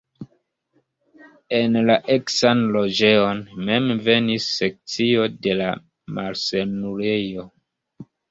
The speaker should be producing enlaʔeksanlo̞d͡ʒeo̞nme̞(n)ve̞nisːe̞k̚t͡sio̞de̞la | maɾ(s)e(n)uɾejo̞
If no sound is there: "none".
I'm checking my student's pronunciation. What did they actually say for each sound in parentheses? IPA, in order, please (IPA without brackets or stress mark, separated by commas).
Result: m, s, n